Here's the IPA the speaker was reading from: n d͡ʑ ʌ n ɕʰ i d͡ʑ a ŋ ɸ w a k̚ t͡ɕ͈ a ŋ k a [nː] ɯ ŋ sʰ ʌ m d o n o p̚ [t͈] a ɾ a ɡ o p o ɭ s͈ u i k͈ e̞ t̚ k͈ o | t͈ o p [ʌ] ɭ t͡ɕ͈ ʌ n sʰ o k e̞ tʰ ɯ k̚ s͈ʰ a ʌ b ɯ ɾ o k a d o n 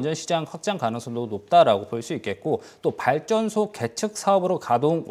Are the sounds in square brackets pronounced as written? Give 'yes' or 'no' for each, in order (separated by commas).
no, yes, no